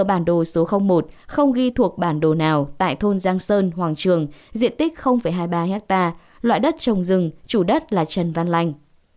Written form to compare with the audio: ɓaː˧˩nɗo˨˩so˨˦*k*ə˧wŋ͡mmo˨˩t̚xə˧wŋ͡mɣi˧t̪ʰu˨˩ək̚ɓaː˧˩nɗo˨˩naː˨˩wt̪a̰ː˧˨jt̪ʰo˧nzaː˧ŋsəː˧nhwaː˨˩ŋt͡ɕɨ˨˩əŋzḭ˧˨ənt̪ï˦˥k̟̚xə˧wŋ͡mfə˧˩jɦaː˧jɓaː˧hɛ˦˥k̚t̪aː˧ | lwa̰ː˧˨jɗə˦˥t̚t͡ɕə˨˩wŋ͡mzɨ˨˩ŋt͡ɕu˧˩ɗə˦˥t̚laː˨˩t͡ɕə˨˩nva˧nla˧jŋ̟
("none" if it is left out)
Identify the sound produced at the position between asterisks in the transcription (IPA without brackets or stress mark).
x